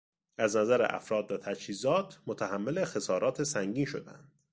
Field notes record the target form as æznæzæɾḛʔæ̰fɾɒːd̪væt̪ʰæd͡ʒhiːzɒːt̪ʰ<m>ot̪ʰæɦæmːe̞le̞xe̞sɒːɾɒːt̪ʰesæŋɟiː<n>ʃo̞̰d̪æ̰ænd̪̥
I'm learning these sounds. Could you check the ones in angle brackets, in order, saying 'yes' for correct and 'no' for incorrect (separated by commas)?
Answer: yes, yes